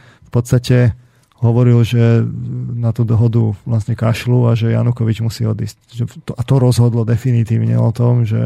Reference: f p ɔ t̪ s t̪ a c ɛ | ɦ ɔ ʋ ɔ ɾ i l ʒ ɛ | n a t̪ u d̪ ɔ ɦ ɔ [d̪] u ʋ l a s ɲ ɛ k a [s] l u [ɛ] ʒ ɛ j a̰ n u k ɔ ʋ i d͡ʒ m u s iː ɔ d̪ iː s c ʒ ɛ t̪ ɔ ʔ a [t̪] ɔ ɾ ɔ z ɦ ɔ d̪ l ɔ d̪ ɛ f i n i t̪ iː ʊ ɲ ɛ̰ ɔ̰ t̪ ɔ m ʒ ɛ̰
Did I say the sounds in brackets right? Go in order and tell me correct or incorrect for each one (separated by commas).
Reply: correct, incorrect, incorrect, correct